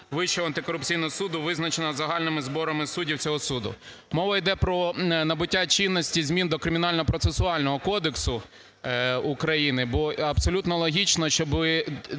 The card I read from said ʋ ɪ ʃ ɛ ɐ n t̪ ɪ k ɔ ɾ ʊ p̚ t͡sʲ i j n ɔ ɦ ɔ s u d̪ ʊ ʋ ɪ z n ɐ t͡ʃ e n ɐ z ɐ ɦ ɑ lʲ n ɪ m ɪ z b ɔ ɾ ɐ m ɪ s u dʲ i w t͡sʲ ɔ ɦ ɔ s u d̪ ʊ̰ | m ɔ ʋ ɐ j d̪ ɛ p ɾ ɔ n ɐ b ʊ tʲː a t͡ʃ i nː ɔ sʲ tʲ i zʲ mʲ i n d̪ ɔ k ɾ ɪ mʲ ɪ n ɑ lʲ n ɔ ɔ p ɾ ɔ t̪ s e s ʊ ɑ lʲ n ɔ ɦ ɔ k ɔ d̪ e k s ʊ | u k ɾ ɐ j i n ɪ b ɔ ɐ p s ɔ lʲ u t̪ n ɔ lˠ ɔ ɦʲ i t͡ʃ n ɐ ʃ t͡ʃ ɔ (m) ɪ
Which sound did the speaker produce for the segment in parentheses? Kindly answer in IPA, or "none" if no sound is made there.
b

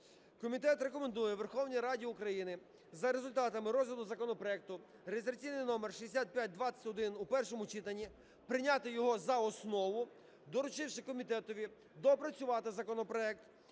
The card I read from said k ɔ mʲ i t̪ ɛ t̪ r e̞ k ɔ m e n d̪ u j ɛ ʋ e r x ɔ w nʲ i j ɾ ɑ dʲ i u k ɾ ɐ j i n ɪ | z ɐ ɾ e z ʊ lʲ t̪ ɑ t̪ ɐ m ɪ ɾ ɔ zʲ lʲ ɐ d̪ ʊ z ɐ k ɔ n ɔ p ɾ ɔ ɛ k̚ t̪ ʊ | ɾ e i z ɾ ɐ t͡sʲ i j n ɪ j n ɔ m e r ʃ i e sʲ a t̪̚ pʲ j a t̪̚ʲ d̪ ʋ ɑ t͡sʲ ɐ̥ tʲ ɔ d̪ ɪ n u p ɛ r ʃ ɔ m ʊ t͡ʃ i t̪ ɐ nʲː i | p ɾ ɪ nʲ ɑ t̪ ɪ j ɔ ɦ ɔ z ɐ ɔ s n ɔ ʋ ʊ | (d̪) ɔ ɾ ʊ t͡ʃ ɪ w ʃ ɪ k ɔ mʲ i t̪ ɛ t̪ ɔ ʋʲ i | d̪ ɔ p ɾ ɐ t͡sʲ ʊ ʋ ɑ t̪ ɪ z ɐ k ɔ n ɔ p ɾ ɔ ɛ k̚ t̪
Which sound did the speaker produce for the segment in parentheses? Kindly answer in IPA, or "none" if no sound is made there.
d̪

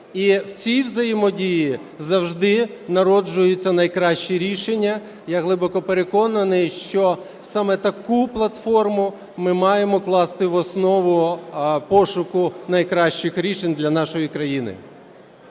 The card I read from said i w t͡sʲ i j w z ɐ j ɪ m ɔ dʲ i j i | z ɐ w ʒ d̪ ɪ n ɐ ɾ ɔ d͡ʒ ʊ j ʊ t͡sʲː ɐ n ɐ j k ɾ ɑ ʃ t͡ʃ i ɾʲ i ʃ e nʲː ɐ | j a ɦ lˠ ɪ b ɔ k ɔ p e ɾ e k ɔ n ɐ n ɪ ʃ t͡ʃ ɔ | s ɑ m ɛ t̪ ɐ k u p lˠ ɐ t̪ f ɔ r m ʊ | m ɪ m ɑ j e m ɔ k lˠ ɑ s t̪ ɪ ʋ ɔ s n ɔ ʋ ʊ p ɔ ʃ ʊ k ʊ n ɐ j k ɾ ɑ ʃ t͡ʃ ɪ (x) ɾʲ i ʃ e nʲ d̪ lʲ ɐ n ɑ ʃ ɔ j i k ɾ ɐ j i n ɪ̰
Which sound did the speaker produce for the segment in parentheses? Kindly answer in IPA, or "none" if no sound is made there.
x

